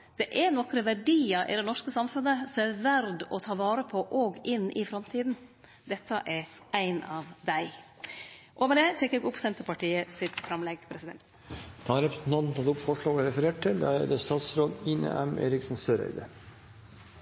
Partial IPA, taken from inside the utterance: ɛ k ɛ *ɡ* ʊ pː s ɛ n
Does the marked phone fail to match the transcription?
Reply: no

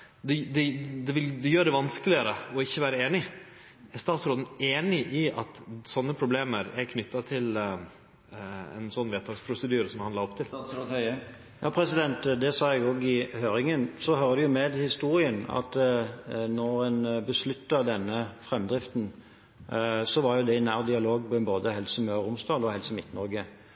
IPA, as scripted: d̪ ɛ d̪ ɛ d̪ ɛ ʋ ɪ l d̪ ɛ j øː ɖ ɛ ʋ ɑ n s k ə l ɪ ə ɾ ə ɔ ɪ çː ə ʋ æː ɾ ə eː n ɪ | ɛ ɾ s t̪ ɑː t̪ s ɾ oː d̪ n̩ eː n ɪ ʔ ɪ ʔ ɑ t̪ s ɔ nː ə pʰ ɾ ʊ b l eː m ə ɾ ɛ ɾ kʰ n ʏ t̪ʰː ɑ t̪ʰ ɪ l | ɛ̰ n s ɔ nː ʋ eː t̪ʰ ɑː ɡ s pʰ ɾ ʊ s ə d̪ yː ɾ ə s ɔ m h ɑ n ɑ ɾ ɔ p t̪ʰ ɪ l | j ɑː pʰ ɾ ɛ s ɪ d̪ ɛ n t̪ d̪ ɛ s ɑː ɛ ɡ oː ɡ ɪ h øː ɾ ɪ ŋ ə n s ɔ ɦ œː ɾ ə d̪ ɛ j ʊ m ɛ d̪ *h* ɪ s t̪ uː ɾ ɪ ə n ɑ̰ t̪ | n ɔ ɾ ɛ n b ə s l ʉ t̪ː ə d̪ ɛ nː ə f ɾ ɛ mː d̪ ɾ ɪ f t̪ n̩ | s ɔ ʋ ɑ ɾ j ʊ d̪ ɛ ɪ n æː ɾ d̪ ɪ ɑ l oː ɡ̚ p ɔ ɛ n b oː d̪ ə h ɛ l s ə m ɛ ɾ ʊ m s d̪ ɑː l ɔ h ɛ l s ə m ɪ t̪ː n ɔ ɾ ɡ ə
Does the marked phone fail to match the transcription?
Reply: no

